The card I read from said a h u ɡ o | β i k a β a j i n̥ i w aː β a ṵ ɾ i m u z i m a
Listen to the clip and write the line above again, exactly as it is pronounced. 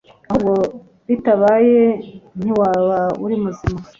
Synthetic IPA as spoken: a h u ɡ o | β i t a β a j e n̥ i w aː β a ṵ ɾ i m u z i m a